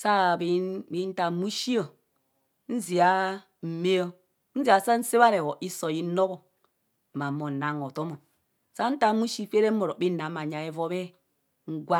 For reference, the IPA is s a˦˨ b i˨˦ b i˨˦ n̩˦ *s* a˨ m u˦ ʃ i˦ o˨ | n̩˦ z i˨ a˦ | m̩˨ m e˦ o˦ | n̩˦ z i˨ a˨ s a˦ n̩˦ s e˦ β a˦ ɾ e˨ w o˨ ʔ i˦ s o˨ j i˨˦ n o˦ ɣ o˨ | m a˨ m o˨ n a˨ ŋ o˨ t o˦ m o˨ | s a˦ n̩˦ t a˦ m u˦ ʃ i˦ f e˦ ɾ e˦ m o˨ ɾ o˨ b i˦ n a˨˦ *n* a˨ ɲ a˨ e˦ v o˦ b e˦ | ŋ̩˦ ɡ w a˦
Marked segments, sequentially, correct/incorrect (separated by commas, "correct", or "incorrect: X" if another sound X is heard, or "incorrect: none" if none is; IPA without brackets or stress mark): incorrect: t, incorrect: m